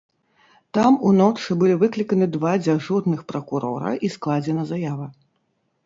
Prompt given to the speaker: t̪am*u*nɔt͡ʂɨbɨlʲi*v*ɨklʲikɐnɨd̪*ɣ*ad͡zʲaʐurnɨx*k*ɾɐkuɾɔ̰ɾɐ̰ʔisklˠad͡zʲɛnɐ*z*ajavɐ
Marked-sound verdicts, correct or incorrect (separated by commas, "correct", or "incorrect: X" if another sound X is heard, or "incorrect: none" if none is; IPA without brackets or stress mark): correct, correct, incorrect: v, incorrect: p, correct